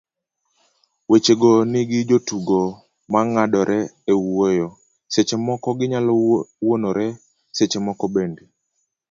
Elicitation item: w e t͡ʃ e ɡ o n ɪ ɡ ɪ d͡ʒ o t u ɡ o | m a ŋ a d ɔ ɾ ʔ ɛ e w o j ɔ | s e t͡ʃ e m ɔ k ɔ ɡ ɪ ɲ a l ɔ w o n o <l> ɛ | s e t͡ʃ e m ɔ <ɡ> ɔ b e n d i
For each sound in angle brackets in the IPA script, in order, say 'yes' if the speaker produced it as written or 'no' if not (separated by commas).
no, no